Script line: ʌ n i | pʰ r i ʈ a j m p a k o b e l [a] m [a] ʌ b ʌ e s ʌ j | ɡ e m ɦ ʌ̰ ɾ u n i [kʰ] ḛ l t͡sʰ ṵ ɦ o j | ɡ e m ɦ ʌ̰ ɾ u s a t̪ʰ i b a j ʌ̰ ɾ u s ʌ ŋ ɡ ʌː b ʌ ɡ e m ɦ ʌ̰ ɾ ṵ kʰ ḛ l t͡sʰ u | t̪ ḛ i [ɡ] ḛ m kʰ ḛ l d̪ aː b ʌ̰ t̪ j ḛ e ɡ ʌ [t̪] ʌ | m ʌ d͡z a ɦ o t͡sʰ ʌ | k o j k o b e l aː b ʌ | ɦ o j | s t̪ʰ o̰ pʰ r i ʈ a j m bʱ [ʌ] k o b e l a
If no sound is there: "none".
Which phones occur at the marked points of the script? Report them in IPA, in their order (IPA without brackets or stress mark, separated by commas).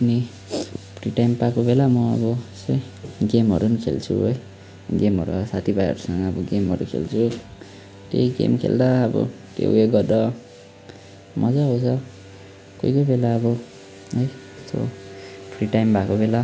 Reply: a, ʌ, kʰ, ɡ, d̪, a